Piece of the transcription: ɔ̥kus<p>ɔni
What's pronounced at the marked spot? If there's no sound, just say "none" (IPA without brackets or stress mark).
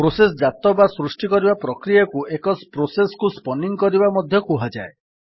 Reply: p